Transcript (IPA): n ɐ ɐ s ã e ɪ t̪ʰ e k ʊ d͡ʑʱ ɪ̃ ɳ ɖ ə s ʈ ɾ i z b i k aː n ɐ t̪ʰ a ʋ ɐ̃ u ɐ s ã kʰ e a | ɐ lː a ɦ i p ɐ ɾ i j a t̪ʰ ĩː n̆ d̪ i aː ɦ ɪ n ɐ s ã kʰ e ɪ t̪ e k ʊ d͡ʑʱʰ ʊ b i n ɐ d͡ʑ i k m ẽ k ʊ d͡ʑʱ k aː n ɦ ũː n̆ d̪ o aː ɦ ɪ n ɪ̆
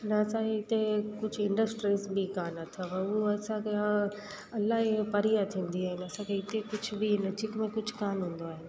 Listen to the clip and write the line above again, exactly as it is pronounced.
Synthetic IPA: n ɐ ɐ s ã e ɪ t̪ e k ʊ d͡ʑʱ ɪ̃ ɳ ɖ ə s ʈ ɾ i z b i k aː n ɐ t̪ʰ a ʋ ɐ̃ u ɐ s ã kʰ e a | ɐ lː a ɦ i p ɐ ɾ i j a t̪ʰ ĩː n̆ d̪ i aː ɦ ɪ n ɐ s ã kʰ e ɪ t̪ e k ʊ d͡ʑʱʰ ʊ b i n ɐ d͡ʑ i k m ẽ k ʊ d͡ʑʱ k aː n ɦ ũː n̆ d̪ o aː ɦ ɪ n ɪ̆